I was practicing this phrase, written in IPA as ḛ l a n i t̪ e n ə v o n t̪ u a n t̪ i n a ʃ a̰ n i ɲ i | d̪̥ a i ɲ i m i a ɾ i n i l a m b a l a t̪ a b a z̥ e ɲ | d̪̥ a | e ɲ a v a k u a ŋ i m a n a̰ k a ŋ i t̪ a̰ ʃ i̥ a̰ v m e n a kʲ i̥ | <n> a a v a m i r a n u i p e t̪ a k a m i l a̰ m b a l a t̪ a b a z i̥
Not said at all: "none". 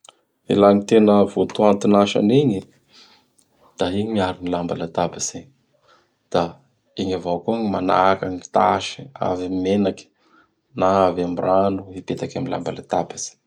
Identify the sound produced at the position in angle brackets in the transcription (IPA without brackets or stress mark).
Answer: n